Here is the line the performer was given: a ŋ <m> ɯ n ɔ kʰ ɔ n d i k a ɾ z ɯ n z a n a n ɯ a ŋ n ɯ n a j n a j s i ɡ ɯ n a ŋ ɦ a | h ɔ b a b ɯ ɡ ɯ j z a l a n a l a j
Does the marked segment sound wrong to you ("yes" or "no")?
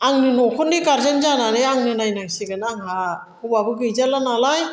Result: yes